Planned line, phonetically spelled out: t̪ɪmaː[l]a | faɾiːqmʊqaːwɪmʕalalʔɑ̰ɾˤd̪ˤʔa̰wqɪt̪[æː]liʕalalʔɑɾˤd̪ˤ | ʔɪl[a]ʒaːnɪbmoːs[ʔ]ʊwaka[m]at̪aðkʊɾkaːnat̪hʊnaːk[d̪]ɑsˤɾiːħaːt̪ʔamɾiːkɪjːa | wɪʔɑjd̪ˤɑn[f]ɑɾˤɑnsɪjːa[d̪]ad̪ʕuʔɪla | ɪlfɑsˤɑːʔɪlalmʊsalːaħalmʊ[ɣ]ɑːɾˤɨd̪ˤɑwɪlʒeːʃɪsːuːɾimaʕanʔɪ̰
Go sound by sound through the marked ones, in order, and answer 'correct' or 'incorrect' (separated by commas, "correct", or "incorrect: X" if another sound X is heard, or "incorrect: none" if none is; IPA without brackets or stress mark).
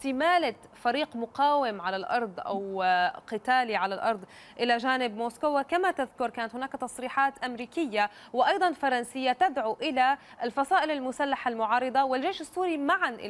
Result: correct, incorrect: aː, correct, incorrect: k, correct, incorrect: t̪, correct, incorrect: t̪, incorrect: ʕ